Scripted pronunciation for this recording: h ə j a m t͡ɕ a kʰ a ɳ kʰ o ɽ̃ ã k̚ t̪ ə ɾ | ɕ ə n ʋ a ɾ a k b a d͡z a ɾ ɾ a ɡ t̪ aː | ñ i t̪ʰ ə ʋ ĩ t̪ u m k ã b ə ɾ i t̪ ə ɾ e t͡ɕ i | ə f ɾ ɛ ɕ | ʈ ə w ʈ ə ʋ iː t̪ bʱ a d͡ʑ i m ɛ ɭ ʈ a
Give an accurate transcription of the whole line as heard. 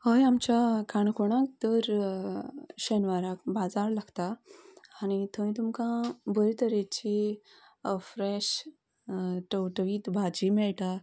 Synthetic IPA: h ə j a m t͡ɕ a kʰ a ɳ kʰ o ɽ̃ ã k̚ t̪ ə ɾ | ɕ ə n ʋ a ɾ a k b a d͡z a ɾ l a ɡ t̪ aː | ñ i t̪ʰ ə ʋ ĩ t̪ u m k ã b ə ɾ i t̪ ə ɾ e t͡ɕ i | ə f ɾ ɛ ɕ | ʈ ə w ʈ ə ʋ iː t̪ bʱ a d͡ʑ i m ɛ ɭ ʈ a